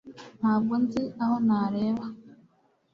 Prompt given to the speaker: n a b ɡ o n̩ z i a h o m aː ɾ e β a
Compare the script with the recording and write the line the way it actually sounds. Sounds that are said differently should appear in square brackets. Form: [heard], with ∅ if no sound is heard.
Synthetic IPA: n a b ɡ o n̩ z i a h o [n] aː ɾ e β a